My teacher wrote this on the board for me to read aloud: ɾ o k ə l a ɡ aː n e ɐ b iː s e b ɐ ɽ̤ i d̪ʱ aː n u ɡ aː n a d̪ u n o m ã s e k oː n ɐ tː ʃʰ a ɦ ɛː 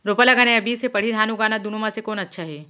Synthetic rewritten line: ɾ o p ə l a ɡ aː n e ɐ b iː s e p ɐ ɽ̤ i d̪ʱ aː n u ɡ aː n a d̪ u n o m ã s e k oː n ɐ tː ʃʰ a ɦ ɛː